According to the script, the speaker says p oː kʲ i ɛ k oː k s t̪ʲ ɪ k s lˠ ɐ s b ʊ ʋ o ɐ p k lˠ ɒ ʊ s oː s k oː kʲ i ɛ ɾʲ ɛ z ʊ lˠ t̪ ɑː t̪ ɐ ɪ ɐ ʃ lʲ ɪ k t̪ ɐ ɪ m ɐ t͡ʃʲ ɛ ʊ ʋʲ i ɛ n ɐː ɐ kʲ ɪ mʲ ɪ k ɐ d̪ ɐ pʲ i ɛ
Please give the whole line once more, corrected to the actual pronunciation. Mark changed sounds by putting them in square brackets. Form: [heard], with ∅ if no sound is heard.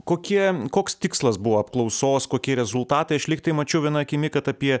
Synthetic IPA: [k] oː kʲ i ɛ k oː k s t̪ʲ ɪ k s lˠ ɐ s b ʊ ʋ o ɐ p k lˠ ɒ ʊ s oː s k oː kʲ i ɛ ɾʲ ɛ z ʊ lˠ t̪ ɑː t̪ ɐ ɪ ɐ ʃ lʲ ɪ k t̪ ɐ ɪ m ɐ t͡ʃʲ ɛ ʊ ʋʲ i ɛ n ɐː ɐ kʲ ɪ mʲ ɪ k ɐ [t̪] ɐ pʲ i ɛ